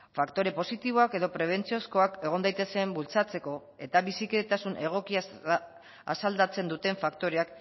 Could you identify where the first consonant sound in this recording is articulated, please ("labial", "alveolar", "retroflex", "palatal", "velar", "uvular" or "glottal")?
labial